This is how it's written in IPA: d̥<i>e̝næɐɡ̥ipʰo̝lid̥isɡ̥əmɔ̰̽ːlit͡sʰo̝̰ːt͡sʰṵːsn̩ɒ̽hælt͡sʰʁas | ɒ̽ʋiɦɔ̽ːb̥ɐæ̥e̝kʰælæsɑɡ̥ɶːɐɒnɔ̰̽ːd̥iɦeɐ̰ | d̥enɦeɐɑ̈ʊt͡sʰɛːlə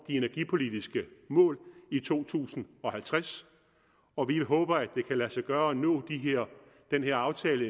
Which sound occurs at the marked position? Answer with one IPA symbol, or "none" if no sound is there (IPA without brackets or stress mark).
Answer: i